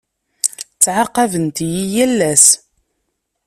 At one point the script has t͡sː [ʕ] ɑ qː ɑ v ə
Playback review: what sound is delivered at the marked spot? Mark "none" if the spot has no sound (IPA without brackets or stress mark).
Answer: ʕ